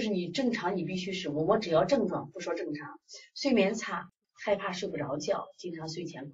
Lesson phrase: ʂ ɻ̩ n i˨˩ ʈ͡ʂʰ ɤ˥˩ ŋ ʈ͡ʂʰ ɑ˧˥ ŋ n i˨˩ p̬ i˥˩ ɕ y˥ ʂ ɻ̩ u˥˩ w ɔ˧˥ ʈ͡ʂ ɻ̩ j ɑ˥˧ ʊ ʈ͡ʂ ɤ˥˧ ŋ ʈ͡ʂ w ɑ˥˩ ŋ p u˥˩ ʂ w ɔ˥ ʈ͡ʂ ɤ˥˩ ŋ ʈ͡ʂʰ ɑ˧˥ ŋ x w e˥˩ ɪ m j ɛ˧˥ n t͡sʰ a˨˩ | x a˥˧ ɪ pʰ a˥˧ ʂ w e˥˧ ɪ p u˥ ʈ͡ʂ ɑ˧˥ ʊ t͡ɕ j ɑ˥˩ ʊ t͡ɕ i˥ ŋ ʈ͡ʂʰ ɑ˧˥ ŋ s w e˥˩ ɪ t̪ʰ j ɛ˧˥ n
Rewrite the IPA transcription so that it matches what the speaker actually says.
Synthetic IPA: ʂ ɻ̩ n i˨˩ ʈ͡ʂ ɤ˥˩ ŋ ʈ͡ʂʰ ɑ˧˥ ŋ n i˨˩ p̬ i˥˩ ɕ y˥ ʂ ɻ̩ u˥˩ w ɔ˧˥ ʈ͡ʂ ɻ̩ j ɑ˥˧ ʊ ʈ͡ʂ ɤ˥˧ ŋ ʈ͡ʂ w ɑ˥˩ ŋ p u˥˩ ʂ w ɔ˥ ʈ͡ʂ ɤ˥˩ ŋ ʈ͡ʂʰ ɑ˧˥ ŋ s w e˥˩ ɪ m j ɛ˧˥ n t͡sʰ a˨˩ | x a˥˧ ɪ pʰ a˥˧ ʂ w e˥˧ ɪ p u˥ ʈ͡ʂ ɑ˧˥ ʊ t͡ɕ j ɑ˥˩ ʊ t͡ɕ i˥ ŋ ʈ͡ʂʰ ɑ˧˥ ŋ s w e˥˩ ɪ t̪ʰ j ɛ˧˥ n